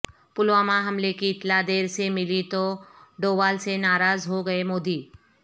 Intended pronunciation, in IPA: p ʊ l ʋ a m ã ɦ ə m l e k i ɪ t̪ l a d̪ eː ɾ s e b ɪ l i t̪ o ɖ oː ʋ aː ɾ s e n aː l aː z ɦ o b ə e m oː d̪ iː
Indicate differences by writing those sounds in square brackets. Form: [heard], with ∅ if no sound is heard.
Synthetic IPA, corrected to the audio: p ʊ l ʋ a m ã ɦ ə m l e k i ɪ t̪ l a d̪ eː ɾ s e [m] ɪ l i t̪ o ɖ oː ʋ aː [l] s e n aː [ɾ] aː z ɦ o [ɡ] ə e m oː d̪ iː